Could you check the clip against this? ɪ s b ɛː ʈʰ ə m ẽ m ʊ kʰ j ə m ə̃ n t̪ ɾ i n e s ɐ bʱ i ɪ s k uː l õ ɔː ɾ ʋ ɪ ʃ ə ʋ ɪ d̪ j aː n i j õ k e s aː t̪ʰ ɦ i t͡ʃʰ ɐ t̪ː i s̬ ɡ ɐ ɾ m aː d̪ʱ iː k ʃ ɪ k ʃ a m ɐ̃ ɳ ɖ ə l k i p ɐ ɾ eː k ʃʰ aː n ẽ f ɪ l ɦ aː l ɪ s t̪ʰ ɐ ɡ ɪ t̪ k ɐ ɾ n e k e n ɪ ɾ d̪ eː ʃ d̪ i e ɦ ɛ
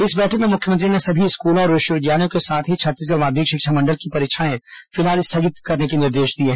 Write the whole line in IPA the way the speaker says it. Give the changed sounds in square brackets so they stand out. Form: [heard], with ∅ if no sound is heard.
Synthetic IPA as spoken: ɪ s b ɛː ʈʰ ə m ẽ m ʊ kʰ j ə m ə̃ n t̪ ɾ i n e s ɐ bʱ i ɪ s k uː l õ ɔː ɾ ʋ ɪ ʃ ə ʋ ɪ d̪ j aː n i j õ k e s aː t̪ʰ ɦ i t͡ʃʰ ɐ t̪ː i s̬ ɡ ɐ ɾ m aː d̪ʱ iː k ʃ ɪ k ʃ a m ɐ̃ ɳ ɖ ə l k i p ɐ ɾ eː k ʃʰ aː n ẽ f ɪ l ɦ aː l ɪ s t̪ʰ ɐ ɡ ɪ t̪ k ɐ ɾ n e k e n ɪ ɾ d̪ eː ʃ d̪ i e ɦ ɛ